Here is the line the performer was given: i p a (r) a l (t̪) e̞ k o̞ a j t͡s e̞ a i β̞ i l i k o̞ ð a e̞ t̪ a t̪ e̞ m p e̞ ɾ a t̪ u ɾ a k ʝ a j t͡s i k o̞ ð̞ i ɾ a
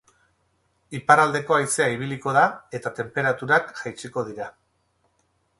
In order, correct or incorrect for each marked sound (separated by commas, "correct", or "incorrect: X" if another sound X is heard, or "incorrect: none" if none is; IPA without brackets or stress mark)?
incorrect: ɾ, incorrect: d̪